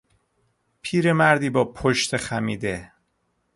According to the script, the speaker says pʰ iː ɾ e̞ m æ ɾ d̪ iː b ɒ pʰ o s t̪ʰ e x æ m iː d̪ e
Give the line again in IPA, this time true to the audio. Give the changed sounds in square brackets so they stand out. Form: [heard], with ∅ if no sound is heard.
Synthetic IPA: pʰ iː ɾ e̞ m æ ɾ d̪ iː b [ɒː] pʰ o [ʃ] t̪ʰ e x æ m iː d̪ e